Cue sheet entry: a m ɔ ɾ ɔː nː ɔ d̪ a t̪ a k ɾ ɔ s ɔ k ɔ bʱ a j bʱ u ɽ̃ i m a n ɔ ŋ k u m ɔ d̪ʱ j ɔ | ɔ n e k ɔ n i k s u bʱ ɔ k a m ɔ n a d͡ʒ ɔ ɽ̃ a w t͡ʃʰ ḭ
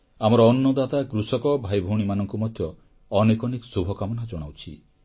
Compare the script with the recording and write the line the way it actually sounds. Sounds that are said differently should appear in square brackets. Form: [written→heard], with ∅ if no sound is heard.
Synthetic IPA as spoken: a m ɔ ɾ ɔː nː ɔ d̪ a t̪ a k ɾ [ɔ→u] s ɔ k ɔ bʱ a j bʱ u ɽ̃ i m a n ɔ ŋ k u m ɔ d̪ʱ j ɔ | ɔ n e k ɔ n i k s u bʱ ɔ k a m ɔ n a d͡ʒ ɔ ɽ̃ a w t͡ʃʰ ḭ